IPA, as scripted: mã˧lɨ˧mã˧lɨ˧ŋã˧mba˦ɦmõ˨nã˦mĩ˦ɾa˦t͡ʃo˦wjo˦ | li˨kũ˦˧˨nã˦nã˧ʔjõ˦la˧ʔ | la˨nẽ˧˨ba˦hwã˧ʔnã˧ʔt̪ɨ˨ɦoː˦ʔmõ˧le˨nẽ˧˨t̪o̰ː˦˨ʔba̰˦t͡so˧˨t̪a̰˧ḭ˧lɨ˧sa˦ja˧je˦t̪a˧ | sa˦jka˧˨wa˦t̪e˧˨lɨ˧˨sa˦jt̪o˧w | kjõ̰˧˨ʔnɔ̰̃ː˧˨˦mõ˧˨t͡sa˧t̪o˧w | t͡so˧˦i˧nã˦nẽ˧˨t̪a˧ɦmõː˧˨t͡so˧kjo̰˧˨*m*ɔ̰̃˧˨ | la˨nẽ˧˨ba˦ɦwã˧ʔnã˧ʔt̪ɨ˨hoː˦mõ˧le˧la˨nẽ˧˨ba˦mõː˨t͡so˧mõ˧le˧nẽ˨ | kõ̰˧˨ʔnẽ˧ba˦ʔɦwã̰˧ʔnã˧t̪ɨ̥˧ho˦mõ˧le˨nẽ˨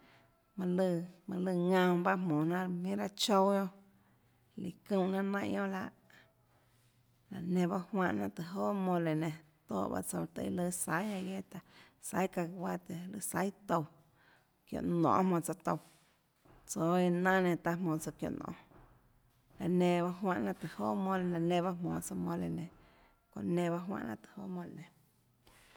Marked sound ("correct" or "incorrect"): incorrect